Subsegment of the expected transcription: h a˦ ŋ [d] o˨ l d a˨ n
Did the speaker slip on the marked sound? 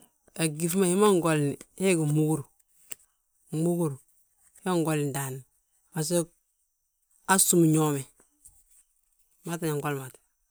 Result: yes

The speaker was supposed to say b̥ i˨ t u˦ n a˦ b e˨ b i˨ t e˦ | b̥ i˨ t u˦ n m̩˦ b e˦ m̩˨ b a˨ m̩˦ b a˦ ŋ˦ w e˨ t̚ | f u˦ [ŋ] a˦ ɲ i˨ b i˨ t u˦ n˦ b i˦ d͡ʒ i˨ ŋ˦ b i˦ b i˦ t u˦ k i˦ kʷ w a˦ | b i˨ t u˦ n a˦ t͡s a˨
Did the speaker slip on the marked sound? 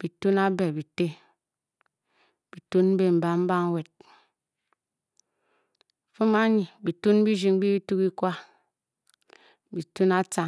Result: yes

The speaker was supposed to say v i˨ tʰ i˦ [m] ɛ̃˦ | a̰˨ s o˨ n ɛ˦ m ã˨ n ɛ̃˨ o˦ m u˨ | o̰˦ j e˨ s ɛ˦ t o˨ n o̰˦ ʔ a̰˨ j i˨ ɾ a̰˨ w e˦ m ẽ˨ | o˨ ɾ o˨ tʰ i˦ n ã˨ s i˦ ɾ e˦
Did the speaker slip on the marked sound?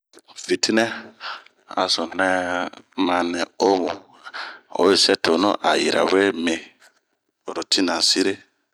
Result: yes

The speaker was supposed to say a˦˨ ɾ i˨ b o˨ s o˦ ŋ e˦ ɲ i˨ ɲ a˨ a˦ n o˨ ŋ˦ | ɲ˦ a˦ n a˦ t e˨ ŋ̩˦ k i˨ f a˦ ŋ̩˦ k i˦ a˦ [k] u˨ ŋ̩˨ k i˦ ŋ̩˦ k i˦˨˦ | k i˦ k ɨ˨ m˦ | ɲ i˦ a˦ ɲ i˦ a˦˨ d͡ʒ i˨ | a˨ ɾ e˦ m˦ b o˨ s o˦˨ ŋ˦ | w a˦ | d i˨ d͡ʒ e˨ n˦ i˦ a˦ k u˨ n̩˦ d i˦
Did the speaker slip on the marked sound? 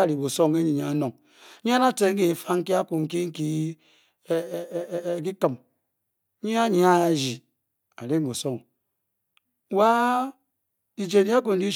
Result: no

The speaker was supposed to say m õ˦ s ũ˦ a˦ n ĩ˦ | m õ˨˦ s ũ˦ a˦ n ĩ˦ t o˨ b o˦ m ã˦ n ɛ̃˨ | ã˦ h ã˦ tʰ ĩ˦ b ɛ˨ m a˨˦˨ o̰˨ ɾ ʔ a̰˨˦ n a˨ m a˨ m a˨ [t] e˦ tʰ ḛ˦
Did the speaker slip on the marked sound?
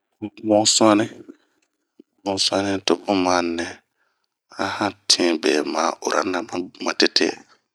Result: no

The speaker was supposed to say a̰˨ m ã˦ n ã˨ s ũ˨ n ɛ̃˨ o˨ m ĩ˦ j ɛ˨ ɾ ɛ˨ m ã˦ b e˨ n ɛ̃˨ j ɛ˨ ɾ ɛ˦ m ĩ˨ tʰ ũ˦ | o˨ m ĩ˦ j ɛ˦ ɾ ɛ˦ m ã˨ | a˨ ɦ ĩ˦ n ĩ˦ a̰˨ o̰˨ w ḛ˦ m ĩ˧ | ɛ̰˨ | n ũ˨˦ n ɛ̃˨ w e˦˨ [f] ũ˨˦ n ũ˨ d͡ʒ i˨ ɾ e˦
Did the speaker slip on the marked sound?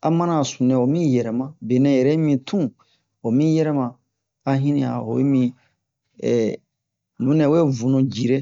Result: yes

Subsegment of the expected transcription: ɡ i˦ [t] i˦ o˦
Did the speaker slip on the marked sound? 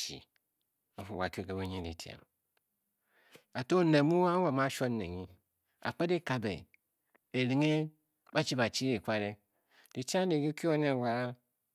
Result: yes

